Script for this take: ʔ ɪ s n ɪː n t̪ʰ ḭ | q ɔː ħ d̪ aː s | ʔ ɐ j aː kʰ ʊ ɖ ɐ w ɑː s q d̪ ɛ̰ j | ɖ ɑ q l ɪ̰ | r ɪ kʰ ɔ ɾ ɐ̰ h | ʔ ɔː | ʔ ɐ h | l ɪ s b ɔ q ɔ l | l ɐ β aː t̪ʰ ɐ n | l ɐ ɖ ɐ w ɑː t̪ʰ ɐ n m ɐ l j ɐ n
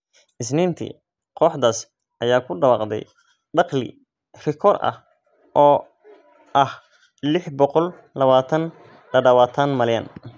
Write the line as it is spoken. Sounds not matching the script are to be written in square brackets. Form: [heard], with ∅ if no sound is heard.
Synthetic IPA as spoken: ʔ ɪ s n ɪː n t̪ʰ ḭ | q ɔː ħ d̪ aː s | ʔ ɐ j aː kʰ ʊ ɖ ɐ w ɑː [∅] q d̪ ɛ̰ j | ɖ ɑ q l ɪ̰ | r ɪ kʰ ɔ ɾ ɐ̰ h | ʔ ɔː | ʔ ɐ h | l ɪ [ħ] b ɔ q ɔ l | l ɐ β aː t̪ʰ ɐ n | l ɐ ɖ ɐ w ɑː t̪ʰ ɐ n m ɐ l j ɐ n